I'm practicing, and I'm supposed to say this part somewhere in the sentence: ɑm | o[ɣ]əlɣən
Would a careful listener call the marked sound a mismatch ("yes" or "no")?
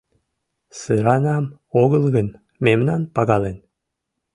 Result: no